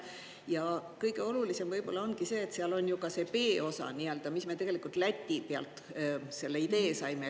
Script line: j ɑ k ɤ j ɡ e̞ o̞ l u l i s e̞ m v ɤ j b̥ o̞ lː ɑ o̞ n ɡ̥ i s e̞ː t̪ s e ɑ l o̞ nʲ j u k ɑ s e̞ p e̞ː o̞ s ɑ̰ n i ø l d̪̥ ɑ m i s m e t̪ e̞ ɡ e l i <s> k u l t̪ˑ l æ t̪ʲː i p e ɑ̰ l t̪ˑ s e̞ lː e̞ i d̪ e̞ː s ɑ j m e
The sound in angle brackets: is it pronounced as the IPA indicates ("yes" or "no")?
no